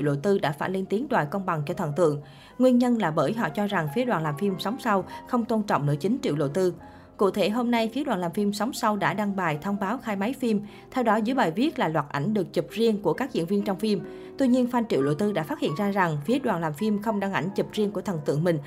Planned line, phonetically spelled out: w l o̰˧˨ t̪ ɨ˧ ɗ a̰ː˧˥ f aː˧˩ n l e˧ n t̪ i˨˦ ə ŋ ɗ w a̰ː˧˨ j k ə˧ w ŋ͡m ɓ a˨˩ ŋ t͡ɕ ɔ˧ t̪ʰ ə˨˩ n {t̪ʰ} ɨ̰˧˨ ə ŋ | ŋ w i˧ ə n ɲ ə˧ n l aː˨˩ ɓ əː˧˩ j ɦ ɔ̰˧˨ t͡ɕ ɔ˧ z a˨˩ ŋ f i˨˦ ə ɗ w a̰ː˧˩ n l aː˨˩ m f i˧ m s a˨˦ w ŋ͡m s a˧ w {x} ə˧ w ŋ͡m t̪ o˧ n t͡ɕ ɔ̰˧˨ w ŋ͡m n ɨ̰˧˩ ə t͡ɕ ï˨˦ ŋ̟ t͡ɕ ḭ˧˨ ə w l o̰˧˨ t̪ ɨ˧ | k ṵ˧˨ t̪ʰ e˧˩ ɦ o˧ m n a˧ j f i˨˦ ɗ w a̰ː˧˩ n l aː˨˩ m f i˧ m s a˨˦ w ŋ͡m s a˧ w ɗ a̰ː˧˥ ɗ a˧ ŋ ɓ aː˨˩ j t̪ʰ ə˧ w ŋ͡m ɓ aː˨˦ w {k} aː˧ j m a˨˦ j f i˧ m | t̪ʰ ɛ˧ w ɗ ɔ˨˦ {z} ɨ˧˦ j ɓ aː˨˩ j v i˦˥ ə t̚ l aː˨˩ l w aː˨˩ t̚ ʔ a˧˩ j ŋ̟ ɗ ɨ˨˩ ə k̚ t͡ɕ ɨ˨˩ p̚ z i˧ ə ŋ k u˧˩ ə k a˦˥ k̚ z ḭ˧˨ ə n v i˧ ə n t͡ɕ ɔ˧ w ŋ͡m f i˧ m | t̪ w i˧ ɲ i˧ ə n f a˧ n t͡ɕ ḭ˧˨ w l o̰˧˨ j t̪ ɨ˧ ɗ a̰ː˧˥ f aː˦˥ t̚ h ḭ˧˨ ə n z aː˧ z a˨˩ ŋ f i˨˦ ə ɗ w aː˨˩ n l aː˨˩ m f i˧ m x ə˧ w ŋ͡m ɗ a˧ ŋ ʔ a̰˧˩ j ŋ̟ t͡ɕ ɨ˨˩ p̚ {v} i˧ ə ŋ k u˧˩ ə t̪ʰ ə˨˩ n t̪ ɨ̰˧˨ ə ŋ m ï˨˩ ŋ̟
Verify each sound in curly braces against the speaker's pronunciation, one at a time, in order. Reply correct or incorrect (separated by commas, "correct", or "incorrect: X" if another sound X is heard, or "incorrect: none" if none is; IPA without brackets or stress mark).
incorrect: t̪, correct, incorrect: x, correct, incorrect: z